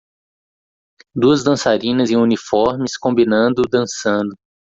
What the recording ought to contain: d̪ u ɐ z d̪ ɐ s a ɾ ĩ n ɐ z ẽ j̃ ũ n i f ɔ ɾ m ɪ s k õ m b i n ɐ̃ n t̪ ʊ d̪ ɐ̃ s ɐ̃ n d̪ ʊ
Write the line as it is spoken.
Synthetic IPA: d̪ u ɐ z d̪ ɐ̃ s a ɾ ĩ n ɐ z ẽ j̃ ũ n i f ɔ ɾ m ɪ s k õ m b i n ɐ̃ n d̪ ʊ d̪ ɐ̃ s ɐ̃ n d̪ ʊ